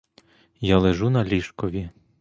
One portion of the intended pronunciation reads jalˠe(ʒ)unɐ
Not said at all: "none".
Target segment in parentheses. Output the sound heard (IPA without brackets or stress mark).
ʒ